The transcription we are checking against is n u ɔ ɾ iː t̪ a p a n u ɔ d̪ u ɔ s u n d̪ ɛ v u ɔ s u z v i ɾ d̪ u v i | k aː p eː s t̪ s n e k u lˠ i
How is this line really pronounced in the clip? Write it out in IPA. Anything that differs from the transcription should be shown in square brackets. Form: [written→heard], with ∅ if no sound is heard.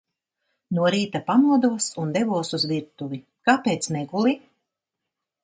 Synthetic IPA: n u ɔ ɾ iː t̪ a p a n u ɔ d̪ u ɔ s u n d̪ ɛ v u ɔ s u z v i ɾ [d̪→t̪] u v i | k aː p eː [s→∅] t̪ s n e [k→ɡ] u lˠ i

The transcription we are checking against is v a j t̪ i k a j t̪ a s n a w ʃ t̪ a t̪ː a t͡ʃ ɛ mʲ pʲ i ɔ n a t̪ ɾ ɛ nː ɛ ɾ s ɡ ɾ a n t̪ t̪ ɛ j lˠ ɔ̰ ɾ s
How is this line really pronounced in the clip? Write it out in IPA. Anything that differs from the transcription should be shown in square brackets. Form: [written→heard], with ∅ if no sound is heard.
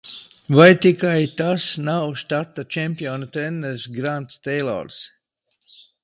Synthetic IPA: v a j t̪ i k a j t̪ a s n a w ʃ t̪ a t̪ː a t͡ʃ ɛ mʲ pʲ i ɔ n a t̪ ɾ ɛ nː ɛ ɾ s ɡ ɾ a n t̪ t̪ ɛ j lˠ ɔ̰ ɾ s

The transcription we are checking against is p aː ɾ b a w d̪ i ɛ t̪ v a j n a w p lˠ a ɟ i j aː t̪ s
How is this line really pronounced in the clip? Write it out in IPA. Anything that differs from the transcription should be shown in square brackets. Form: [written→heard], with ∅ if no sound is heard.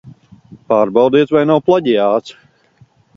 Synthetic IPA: p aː ɾ b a w d̪ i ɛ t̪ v a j n a w p lˠ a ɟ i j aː t̪ s

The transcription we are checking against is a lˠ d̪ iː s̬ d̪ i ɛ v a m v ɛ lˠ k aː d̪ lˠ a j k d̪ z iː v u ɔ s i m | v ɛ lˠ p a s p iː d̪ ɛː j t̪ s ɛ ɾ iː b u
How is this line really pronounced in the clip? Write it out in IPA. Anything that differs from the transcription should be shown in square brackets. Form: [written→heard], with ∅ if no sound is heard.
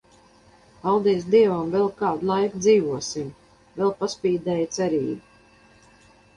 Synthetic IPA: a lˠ d̪ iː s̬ d̪ i ɛ v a m v ɛ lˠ k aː d̪ lˠ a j k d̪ z iː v u ɔ s i m | v ɛ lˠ p a s p iː d̪ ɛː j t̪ s ɛ ɾ iː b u

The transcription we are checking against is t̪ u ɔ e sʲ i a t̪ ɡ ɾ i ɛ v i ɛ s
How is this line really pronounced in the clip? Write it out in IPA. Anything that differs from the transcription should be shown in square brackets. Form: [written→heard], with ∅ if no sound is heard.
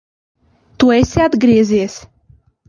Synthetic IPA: t̪ u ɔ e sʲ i a [t̪→d̪] ɡ ɾ i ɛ [v→z] i ɛ s

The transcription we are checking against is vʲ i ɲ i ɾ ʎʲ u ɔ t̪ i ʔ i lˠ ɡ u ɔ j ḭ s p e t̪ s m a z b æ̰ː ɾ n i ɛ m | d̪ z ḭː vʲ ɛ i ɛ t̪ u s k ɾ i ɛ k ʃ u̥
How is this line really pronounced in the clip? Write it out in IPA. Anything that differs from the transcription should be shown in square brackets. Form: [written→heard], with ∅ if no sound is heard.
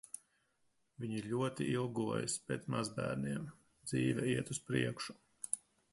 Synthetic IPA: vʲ i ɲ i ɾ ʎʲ u ɔ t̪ i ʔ i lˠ ɡ u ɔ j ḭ s p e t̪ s m a z b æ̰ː ɾ n i ɛ m | d̪ z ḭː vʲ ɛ i ɛ t̪ u s [k→p] ɾ i ɛ k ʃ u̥

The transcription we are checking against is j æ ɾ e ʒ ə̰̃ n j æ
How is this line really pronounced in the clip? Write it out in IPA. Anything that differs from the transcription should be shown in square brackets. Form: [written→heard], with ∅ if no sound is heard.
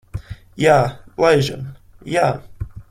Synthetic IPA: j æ [ɾ→l] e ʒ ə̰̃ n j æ

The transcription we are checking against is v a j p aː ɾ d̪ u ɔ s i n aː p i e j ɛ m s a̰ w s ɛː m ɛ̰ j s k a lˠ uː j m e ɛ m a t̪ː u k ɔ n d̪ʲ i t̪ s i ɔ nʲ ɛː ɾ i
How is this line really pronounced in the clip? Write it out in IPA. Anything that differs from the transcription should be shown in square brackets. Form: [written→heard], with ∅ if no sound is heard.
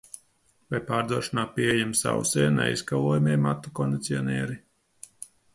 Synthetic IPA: v a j p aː ɾ d̪ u ɔ [s→ʃ] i n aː p i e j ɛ m s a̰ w s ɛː [m→n] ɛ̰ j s k a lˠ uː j m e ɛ m a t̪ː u k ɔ n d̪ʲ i t̪ s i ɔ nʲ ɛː ɾ i

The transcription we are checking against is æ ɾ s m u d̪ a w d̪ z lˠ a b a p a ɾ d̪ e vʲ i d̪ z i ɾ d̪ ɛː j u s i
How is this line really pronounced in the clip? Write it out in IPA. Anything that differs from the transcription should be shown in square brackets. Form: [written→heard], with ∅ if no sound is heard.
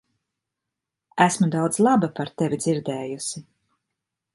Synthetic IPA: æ [ɾ→∅] s m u d̪ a w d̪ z lˠ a b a p a ɾ [d̪→t̪] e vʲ i d̪ z i ɾ d̪ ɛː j u s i

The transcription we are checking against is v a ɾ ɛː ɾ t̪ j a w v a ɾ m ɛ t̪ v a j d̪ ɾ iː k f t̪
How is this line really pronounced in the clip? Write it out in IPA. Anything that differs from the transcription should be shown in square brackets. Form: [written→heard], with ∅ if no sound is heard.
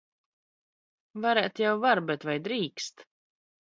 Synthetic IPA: v a ɾ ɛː [ɾ→∅] t̪ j a w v a ɾ [m→b] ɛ t̪ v a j d̪ ɾ iː k [f→s] t̪

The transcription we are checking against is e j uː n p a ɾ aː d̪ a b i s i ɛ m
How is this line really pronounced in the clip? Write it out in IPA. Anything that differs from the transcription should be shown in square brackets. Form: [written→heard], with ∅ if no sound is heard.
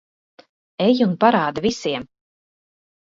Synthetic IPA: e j [uː→u] n p a ɾ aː d̪ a [b→v] i s i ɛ m

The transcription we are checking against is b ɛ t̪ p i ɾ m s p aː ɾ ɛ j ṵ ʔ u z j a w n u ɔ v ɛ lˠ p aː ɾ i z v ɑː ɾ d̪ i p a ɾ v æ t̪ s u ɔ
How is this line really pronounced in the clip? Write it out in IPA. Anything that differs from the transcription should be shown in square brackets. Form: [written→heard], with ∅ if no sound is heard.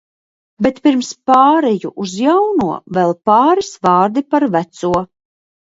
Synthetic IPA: b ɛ t̪ p i ɾ m s p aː ɾ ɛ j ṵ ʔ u z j a w n u ɔ v ɛ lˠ p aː ɾ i [z→s] v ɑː ɾ d̪ i p a ɾ v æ t̪ s u ɔ

